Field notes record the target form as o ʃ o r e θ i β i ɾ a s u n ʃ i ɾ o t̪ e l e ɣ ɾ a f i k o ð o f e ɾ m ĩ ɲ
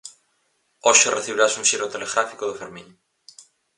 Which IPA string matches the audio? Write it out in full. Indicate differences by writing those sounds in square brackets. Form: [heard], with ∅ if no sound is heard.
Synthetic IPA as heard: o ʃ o r e θ i β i ɾ a s u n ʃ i ɾ o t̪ e l e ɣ ɾ a f i k o ð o f e ɾ m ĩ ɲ